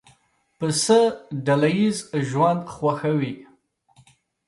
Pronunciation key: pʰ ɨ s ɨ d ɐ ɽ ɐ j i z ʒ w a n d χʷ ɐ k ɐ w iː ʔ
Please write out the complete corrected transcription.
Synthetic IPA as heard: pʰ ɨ s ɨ d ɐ l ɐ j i z ʒ w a n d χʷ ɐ x ɐ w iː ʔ